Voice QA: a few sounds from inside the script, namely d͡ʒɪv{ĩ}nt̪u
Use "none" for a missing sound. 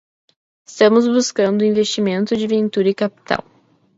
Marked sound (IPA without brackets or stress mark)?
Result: ẽ